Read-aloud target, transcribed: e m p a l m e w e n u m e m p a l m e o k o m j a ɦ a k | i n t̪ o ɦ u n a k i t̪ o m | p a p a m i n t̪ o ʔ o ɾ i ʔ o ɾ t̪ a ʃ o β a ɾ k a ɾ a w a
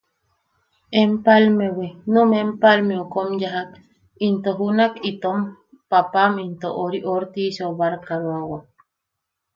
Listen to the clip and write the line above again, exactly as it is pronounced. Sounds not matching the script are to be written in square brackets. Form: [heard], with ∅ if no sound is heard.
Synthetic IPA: e m p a l m e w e n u m e m p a l m e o k o m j a ɦ a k | i n t̪ o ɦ u n a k i t̪ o m | p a p a m i n t̪ o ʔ o ɾ i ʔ o ɾ t̪ [i] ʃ o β a ɾ k a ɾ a w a